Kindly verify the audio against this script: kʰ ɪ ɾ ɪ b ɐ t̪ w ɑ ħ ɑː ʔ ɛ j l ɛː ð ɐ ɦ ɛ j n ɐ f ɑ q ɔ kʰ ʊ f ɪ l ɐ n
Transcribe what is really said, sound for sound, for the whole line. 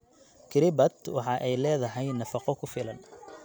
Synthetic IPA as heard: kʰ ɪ ɾ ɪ b ɐ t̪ w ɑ ħ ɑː ʔ ɛ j l ɛː ð ɐ ɦ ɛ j n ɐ f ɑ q ɔ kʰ ʊ f ɪ l ɐ n